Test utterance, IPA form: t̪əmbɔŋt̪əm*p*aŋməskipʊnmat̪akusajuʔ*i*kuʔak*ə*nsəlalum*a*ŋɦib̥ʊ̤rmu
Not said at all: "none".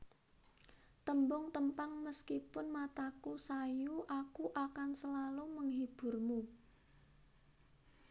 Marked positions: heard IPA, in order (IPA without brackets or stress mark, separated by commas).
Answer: p, a, a, ə